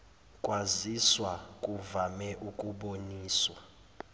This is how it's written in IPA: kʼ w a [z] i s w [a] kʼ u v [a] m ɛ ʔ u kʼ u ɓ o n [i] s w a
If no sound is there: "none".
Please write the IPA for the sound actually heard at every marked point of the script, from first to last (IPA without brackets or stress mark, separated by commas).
z, a, a, iː